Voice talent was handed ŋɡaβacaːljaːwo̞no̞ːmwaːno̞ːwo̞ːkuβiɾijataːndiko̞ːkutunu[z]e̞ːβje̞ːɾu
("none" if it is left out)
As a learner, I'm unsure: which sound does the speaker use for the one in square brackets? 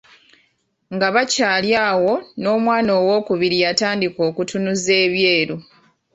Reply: z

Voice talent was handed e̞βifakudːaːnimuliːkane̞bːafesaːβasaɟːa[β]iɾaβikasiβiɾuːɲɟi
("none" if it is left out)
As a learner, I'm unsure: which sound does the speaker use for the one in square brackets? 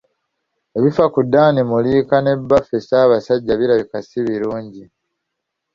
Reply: β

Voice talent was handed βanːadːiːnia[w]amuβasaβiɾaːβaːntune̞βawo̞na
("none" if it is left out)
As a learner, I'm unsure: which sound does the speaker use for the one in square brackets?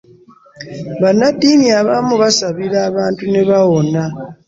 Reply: β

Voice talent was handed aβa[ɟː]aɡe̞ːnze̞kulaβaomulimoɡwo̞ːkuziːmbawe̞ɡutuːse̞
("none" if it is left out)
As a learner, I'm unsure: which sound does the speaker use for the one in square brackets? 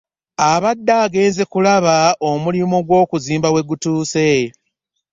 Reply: dː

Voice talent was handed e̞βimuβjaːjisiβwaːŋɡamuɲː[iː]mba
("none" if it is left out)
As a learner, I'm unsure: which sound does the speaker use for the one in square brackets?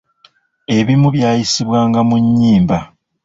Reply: iː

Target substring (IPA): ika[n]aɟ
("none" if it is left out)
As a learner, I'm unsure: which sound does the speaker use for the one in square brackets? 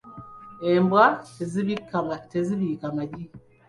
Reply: m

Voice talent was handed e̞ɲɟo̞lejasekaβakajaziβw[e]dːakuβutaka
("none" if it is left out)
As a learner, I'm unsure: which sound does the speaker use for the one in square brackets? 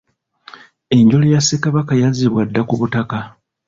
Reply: a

